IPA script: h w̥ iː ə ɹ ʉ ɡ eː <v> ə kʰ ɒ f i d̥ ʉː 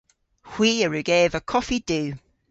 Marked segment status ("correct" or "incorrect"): correct